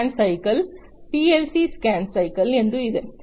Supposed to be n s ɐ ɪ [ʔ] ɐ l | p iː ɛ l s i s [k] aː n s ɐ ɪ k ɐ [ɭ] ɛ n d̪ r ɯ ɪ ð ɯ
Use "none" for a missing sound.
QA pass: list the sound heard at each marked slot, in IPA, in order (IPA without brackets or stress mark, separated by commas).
k, k, l